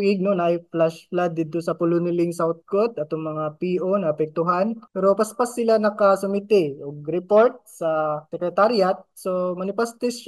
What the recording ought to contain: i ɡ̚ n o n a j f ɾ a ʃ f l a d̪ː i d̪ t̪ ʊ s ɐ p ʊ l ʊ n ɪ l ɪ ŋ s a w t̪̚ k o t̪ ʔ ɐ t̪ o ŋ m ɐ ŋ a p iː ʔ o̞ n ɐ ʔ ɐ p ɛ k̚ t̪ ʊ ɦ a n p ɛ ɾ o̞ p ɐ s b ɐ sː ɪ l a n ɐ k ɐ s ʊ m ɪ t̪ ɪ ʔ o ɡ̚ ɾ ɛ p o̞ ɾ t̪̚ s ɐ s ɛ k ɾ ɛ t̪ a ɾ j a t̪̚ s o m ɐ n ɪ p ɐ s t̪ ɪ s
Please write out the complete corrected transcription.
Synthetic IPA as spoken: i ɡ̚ n o n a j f l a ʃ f l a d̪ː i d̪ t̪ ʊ s ɐ p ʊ l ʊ n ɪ l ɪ ŋ s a w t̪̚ k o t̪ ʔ ɐ t̪ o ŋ m ɐ ŋ a p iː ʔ o̞ n ɐ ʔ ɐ p ɛ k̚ t̪ ʊ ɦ a n p ɛ ɾ o̞ p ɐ s p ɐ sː ɪ l a n ɐ k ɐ s ʊ m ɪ t̪ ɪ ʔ o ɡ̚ ɾ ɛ p o̞ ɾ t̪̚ s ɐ s ɛ k ɾ ɛ t̪ a ɾ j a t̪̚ s o m ɐ n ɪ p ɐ s t̪ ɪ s